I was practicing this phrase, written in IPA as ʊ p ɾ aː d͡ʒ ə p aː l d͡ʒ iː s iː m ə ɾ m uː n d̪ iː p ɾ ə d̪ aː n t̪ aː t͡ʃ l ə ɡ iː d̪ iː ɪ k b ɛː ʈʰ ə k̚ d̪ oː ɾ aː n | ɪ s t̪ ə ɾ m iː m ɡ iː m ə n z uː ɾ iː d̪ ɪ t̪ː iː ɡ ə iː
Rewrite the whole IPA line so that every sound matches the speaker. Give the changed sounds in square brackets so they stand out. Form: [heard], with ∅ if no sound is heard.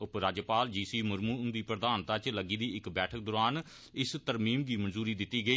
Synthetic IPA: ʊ p ɾ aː d͡ʒ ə p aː l d͡ʒ iː s iː m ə ɾ m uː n d̪ iː p ɾ ə d̪ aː n t̪ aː t͡ʃ l ə ɡ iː d̪ iː ɪ k b ɛː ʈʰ ə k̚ d̪ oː ɾ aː n | ɪ s t̪ ə ɾ m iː m ɡ iː m ə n z uː ɾ iː d̪ ɪ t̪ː iː ɡ ə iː